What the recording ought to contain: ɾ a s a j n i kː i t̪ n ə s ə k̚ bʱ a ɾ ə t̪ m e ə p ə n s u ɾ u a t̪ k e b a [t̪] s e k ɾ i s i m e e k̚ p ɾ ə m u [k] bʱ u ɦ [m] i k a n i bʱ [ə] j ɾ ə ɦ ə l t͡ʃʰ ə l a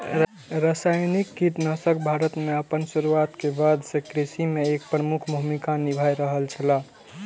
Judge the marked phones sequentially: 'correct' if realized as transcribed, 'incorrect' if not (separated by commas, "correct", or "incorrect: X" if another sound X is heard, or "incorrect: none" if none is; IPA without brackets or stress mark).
incorrect: d̪, incorrect: kʰ, correct, incorrect: a